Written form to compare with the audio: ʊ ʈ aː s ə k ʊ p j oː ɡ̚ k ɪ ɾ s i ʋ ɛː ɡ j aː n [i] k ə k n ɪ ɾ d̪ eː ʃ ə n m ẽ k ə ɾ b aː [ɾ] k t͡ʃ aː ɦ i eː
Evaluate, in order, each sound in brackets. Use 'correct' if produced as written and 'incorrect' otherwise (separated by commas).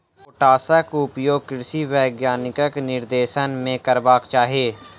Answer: incorrect, incorrect